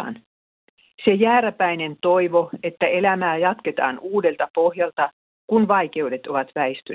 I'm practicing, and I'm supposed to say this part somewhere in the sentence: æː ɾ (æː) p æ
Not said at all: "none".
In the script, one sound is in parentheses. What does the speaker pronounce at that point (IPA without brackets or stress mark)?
æ